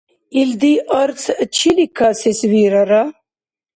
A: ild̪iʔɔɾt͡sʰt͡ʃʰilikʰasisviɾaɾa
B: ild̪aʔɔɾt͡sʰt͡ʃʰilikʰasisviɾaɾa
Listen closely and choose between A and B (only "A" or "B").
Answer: A